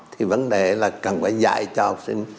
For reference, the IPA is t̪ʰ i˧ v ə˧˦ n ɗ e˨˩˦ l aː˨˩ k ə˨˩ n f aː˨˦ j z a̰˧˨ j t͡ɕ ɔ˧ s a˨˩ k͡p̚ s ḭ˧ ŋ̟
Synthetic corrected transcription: t̪ʰ i˨˩ v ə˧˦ n ɗ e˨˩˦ l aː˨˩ k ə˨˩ n f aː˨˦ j z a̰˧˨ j t͡ɕ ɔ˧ h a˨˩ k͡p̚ s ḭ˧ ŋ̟